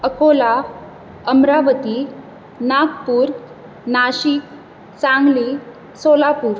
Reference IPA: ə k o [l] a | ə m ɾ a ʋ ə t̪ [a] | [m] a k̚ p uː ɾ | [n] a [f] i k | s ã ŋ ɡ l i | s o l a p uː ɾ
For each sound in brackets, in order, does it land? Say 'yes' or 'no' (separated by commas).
yes, no, no, yes, no